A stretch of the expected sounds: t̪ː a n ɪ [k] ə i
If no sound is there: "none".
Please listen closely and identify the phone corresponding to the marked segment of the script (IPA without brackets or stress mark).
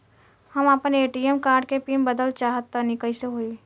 k